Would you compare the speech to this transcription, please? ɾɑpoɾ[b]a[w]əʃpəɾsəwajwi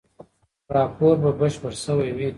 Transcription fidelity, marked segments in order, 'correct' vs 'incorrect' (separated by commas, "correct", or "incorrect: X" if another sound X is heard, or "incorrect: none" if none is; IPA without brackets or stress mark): correct, incorrect: b